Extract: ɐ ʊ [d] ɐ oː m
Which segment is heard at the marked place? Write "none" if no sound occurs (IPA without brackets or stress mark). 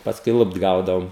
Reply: d